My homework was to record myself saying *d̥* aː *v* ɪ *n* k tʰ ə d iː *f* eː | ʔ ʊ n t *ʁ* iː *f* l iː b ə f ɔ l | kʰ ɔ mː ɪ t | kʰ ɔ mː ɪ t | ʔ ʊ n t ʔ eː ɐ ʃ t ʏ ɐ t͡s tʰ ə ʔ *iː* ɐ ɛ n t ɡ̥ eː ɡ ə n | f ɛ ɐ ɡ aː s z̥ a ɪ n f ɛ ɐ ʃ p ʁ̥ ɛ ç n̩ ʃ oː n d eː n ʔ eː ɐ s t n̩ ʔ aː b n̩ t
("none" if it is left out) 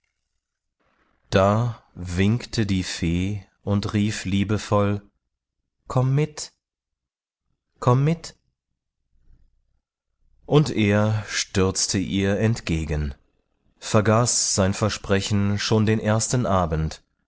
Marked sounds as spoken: d̥, v, ŋ, f, ʁ, f, iː

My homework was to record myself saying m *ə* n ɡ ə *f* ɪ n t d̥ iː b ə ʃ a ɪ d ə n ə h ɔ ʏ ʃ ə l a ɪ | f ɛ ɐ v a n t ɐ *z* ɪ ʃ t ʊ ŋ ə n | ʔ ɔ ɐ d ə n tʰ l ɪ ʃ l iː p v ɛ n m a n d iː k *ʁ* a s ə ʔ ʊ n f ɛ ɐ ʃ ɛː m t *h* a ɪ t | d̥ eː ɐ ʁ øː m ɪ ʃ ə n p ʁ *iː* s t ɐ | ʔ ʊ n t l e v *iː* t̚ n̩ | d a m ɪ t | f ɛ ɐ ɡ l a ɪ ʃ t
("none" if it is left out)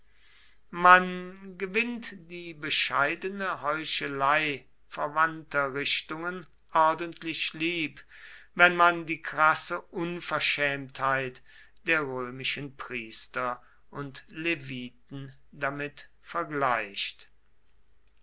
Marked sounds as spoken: a, v, ʁ, ʁ, h, iː, iː

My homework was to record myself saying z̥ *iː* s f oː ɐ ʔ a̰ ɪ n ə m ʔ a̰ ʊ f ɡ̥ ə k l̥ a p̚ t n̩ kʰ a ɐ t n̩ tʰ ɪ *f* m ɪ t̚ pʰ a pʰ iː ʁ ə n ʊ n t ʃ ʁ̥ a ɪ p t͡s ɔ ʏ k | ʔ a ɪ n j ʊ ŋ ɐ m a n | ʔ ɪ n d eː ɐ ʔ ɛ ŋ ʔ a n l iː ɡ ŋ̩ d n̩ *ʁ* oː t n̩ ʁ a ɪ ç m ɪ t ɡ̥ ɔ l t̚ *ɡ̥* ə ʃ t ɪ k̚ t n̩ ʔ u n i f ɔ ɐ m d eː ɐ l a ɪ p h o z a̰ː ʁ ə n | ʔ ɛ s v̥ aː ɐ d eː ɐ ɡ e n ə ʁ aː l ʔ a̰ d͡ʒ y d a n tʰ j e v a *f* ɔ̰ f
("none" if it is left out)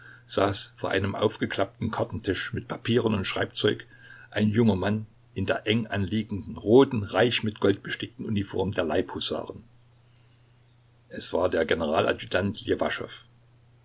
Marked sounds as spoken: aː, ʃ, ʁ, b̥, ʃ

